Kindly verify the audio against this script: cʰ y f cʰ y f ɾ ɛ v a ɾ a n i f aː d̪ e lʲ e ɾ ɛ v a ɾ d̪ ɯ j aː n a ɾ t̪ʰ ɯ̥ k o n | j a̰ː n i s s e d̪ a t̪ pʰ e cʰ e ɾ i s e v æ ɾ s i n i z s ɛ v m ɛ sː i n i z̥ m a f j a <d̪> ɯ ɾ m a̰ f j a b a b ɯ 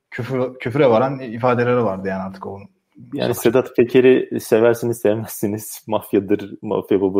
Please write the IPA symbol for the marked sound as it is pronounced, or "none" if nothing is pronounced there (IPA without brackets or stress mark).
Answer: d̪